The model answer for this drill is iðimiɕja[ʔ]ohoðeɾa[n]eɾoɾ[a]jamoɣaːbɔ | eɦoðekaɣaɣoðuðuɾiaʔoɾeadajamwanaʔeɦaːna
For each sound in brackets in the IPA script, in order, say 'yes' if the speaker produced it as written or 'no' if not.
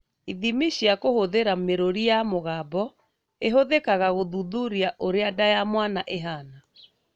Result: no, no, no

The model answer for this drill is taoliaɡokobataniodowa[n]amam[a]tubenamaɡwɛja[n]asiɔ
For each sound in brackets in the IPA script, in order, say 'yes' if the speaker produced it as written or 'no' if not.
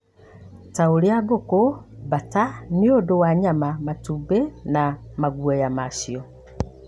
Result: no, yes, no

